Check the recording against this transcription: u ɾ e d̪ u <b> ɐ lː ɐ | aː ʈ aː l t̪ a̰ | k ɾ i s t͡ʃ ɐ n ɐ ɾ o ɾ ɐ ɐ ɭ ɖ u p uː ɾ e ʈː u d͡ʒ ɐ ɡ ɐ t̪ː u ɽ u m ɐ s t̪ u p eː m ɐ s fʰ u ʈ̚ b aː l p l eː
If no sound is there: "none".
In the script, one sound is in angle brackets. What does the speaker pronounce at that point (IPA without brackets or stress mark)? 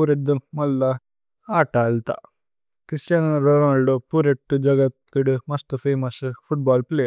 m